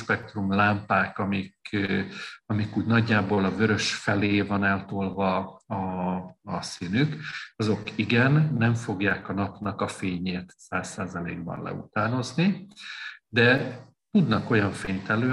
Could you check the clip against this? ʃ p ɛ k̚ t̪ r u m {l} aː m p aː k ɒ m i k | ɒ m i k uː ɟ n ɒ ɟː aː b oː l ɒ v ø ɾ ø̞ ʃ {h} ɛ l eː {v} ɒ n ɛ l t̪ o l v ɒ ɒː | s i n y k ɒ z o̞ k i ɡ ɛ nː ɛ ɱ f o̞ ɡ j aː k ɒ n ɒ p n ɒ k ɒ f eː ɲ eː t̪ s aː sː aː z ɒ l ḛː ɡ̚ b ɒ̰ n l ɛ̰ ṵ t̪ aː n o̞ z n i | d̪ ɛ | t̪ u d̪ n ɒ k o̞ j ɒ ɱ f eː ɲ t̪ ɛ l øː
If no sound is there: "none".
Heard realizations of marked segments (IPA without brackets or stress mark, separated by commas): l, f, v